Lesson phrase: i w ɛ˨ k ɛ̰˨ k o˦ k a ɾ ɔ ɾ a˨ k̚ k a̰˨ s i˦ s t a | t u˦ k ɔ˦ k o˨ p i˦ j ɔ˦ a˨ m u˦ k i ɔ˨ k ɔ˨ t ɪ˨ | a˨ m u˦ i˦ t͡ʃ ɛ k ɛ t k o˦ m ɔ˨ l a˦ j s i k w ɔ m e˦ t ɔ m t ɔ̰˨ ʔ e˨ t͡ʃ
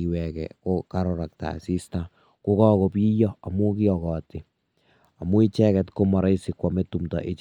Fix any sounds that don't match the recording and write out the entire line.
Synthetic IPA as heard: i w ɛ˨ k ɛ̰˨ k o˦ k a ɾ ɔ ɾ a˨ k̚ t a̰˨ s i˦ s t a | k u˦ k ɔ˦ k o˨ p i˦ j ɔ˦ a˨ m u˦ k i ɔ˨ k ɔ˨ t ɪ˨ | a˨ m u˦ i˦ t͡ʃ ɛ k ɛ t k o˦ m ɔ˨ ɾ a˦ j s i k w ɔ m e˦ t u m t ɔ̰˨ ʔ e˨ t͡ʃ